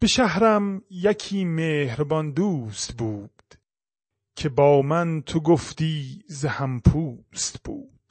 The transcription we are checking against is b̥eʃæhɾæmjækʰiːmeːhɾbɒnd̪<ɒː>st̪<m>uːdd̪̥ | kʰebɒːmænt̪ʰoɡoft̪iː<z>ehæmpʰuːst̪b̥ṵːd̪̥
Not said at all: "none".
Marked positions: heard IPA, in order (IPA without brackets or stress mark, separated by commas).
uː, b, z